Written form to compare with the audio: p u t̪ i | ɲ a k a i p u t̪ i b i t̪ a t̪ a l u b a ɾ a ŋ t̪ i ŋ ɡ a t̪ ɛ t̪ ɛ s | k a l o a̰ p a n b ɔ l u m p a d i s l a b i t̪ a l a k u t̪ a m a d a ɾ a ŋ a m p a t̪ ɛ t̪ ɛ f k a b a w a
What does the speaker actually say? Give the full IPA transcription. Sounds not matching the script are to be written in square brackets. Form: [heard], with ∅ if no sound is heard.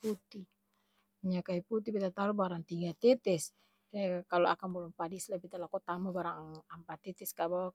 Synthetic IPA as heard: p u t̪ i | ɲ a k a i p u t̪ i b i t̪ a t̪ a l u b a ɾ a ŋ t̪ i ŋ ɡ a t̪ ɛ t̪ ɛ s | k a l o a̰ [k] a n b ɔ l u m p a d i s l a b i t̪ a l a k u t̪ a m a [b] a ɾ a ŋ a m p a t̪ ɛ t̪ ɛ [s] k a b a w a